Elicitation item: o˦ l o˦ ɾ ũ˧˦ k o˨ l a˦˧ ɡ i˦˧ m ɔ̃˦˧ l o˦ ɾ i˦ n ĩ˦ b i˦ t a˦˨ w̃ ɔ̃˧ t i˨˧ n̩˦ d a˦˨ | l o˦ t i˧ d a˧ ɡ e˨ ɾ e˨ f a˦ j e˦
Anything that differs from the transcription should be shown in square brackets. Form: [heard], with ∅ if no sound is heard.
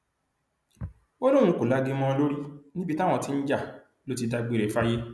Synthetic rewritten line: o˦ l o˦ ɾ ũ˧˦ k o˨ l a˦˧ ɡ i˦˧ m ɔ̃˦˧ l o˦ ɾ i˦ n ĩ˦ b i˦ t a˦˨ w̃ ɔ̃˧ t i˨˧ n̩˦ [d͡ʒ] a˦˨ | l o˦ t i˧ d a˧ [ɡ͡b] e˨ ɾ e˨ f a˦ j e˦